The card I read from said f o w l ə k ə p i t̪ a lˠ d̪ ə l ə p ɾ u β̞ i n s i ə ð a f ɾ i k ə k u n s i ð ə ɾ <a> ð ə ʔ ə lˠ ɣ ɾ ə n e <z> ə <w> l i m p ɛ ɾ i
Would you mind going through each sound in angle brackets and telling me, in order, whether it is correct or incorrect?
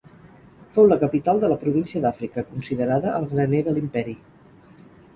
correct, incorrect: ð, incorrect: none

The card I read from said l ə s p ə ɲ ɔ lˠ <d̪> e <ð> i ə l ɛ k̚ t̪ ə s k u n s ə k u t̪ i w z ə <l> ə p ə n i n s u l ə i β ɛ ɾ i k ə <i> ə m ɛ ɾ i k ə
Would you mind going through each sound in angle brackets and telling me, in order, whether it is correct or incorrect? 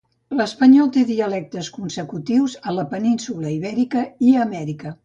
incorrect: t̪, correct, correct, correct

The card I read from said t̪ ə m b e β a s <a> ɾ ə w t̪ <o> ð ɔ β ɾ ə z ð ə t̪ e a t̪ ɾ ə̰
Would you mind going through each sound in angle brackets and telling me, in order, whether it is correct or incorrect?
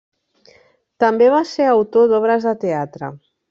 incorrect: e, correct

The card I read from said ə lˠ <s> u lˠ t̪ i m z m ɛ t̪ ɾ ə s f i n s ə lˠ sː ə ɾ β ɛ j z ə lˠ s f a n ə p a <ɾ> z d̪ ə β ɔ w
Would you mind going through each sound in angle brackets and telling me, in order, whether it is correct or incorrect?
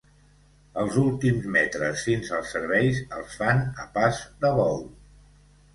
incorrect: z, incorrect: none

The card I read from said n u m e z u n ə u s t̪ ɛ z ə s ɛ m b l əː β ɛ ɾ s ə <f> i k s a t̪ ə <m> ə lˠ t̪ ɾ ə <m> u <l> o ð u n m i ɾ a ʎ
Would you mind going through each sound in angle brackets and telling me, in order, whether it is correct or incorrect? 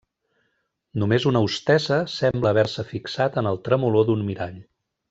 correct, incorrect: n, correct, correct

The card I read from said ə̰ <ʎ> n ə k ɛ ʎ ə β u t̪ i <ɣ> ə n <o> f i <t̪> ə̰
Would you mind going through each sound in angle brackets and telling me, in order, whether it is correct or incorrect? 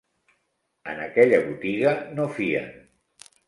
incorrect: none, correct, correct, incorrect: none

